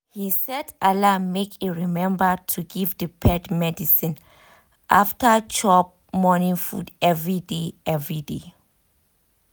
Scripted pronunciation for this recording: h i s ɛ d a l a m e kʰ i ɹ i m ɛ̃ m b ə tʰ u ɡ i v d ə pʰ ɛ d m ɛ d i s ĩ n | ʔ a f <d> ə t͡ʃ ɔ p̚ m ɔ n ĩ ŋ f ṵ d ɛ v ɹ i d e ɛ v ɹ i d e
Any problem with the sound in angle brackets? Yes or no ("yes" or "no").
yes